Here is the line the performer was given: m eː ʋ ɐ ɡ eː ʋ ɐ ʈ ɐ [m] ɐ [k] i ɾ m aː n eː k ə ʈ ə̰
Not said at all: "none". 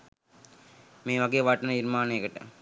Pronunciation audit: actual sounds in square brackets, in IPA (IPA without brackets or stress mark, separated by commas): n, none